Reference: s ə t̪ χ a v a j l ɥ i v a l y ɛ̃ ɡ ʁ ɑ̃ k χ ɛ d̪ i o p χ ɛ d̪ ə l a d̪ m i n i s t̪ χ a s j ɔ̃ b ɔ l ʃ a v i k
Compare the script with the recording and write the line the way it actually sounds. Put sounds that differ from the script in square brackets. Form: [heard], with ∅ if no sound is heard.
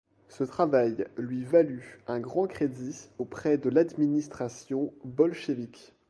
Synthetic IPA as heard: s ə t̪ χ a v a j l ɥ i v a l y ɛ̃ ɡ ʁ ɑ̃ k χ [e] d̪ i o p χ ɛ d̪ ə l a d̪ m i n i s t̪ χ a s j ɔ̃ b ɔ l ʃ [e] v i k